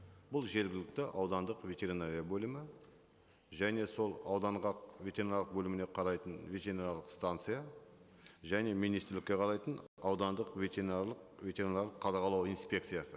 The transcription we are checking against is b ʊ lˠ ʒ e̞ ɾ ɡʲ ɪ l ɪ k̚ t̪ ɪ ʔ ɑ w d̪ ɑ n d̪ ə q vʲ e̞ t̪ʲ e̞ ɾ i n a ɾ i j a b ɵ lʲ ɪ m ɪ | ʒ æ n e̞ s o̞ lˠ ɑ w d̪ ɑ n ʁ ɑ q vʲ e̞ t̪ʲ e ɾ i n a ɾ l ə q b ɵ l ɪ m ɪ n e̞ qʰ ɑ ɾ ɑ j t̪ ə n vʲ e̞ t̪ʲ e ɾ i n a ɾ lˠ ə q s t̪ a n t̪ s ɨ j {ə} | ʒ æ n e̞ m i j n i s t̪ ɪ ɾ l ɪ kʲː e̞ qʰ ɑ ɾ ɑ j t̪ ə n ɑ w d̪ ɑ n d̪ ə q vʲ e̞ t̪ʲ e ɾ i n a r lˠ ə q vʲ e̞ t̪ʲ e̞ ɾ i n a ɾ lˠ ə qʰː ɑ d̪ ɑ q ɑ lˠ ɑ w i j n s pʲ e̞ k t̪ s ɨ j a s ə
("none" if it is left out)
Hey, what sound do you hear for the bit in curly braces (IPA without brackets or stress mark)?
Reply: a